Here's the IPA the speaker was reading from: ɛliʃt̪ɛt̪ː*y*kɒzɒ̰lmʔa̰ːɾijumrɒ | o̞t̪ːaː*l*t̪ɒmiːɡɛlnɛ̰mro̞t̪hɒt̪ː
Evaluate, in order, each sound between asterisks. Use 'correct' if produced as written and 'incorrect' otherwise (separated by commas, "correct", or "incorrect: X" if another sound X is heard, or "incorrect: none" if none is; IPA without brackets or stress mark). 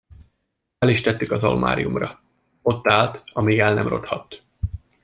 correct, correct